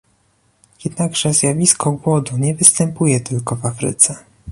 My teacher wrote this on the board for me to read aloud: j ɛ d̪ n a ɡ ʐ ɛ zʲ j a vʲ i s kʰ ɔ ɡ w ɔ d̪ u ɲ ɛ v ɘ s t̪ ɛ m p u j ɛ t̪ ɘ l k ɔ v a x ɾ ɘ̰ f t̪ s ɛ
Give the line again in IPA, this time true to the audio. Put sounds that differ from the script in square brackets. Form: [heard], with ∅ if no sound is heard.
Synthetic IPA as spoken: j ɛ d̪ n a ɡ ʐ ɛ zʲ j a vʲ i s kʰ ɔ ɡ w ɔ d̪ u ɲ ɛ v ɘ s t̪ ɛ m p u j ɛ t̪ ɘ l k ɔ v a [f] ɾ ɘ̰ [∅] t̪ s ɛ